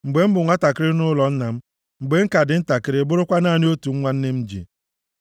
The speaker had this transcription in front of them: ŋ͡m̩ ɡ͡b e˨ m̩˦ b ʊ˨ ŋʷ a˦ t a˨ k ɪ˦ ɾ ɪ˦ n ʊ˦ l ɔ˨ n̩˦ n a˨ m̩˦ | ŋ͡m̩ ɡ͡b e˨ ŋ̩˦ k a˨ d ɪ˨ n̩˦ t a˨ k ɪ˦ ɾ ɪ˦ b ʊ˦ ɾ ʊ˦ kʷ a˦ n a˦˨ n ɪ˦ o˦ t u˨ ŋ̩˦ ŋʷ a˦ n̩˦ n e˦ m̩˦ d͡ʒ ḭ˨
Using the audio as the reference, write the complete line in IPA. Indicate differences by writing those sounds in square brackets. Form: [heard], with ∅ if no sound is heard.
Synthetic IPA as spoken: ŋ͡m̩ ɡ͡b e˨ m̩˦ b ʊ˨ ŋʷ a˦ t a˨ k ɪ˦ ɾ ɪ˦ n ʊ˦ l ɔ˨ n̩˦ n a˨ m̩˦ | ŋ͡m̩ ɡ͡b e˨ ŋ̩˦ k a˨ d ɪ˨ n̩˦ t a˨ k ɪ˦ ɾ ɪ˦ b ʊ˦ ɾ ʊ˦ kʷ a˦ n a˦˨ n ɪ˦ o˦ t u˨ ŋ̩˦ ŋʷ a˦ n̩˦ n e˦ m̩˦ d͡ʒ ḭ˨

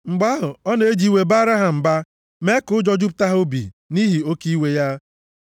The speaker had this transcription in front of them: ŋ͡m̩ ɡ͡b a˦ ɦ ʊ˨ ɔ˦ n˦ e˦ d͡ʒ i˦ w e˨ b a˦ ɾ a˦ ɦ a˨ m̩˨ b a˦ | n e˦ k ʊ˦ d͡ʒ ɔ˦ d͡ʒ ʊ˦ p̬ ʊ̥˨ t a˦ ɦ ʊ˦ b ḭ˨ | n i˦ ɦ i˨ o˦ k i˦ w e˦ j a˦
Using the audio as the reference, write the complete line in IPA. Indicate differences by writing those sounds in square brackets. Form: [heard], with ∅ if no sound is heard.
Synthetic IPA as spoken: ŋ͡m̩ ɡ͡b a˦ ɦ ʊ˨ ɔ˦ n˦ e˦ d͡ʒ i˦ w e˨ b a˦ ɾ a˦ ɦ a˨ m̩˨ b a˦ | [m] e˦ k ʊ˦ d͡ʒ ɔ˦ d͡ʒ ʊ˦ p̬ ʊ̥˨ t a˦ ɦ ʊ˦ b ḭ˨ | n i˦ ɦ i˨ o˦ k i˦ w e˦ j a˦

